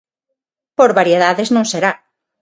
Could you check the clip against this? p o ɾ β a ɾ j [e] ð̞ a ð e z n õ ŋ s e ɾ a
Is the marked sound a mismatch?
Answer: no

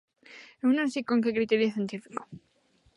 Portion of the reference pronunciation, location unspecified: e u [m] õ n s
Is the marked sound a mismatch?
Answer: yes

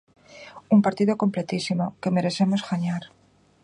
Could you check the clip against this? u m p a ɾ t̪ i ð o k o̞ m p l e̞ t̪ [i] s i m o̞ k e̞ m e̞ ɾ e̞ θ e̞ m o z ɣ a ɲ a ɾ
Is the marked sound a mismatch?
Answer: no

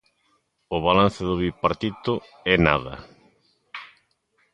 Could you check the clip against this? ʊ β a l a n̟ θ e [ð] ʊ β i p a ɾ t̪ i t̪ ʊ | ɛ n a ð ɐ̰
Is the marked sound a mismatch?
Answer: no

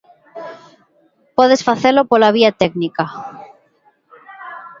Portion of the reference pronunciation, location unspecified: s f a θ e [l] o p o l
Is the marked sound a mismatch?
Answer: no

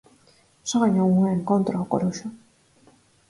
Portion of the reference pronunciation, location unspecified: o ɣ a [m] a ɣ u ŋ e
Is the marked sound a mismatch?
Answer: yes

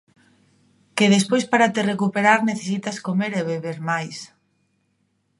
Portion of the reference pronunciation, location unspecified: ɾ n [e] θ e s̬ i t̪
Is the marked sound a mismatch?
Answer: no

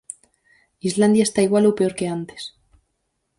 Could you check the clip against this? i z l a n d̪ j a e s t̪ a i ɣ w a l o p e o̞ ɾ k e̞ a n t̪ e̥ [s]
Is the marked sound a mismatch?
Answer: no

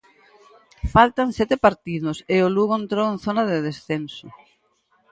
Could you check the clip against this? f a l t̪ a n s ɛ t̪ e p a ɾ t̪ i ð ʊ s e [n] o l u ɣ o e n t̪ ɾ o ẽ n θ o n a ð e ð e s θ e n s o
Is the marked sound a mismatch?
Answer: yes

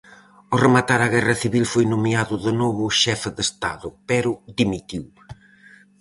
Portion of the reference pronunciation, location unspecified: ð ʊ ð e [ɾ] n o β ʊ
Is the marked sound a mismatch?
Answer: yes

